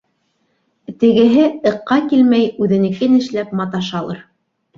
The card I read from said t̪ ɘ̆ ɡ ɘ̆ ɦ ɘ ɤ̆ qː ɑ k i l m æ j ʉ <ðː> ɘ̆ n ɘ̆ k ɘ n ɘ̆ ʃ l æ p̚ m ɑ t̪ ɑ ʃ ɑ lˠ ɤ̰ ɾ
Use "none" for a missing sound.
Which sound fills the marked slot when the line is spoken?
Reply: ð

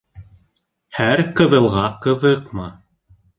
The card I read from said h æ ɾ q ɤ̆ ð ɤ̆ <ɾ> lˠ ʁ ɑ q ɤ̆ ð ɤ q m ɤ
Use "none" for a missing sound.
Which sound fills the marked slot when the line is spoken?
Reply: none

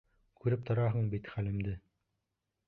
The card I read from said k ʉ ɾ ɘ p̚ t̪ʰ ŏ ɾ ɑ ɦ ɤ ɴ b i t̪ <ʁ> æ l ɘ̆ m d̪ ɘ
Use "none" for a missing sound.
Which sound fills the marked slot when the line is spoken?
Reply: χ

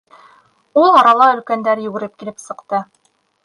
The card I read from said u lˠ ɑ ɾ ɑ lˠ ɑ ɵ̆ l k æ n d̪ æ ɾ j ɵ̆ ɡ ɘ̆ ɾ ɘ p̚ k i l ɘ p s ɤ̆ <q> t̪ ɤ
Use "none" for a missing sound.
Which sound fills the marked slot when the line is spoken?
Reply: q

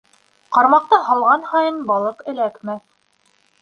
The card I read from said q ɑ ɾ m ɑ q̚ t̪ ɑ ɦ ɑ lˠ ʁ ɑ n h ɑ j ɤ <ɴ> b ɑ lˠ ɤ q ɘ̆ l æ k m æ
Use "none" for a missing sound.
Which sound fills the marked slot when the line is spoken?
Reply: n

